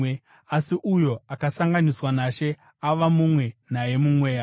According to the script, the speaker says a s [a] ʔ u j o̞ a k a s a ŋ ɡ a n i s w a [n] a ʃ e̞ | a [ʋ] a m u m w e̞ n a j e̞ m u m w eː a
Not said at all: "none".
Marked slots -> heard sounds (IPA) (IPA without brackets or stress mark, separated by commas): i, n, ʋ